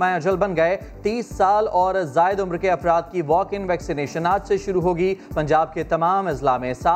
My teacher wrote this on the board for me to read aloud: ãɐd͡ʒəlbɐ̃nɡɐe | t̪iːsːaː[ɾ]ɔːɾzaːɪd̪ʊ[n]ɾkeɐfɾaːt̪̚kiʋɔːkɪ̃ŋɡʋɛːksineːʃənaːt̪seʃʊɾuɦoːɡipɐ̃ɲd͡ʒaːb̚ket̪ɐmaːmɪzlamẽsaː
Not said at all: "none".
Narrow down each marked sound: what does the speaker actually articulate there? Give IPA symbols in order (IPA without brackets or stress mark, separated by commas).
l, m